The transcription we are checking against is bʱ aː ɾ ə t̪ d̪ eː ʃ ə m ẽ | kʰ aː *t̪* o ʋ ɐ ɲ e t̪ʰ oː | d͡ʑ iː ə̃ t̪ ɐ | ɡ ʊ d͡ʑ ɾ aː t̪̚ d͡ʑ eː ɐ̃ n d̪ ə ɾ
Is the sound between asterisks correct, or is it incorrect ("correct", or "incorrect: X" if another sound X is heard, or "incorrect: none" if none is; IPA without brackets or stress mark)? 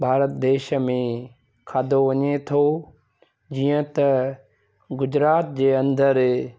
incorrect: d̪